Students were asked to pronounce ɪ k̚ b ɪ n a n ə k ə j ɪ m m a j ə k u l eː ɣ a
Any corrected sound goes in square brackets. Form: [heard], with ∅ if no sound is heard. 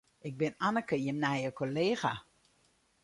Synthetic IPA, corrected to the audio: ɪ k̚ b ɪ n a n ə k ə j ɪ m [n] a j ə k [o] l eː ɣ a